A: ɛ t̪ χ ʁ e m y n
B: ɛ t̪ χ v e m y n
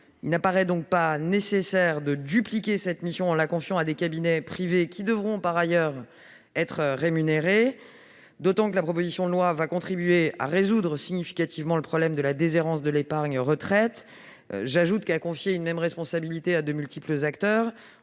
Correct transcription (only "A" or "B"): A